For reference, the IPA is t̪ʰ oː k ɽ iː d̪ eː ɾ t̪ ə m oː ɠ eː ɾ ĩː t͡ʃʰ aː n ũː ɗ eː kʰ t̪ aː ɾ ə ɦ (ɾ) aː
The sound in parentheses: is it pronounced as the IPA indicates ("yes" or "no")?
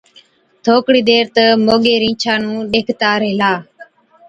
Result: no